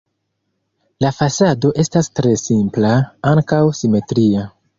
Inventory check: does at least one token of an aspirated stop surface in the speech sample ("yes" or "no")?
no